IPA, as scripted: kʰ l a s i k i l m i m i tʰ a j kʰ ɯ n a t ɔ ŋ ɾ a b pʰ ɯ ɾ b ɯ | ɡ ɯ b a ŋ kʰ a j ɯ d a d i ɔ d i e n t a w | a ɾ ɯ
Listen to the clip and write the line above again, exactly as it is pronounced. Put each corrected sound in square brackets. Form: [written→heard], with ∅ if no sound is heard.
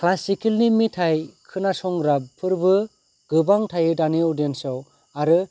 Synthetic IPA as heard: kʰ l a s i k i l [m→n] i m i tʰ a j kʰ ɯ n a [t→s] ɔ ŋ ɾ a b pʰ ɯ ɾ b ɯ | ɡ ɯ b a ŋ [kʰ→tʰ] a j ɯ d a [d→n] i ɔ d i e n [t→s] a w | a ɾ ɯ